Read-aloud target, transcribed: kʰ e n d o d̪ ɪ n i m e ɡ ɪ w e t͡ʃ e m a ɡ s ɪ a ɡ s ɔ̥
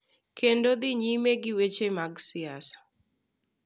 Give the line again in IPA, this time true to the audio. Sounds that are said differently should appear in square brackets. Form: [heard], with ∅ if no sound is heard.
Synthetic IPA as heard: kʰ e n d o d̪ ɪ [ɲ] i m e ɡ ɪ w e t͡ʃ e m a ɡ s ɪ a [∅] s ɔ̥